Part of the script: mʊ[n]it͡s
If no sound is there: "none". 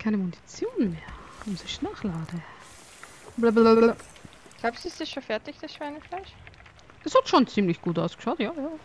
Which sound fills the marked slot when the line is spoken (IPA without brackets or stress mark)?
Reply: n